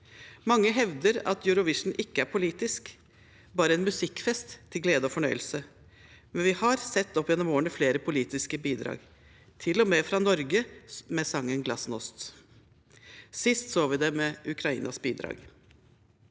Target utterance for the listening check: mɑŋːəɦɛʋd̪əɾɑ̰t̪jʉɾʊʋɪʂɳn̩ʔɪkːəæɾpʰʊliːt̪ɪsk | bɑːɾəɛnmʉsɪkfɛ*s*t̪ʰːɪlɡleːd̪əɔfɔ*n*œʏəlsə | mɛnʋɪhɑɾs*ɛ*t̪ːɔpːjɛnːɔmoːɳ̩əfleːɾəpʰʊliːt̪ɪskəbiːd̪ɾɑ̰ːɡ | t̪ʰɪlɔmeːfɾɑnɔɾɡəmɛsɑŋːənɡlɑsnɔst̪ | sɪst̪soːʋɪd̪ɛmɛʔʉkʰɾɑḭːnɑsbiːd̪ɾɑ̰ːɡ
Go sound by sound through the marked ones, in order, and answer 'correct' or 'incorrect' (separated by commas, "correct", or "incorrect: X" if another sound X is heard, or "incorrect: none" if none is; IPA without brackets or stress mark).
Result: correct, incorrect: ɳ, correct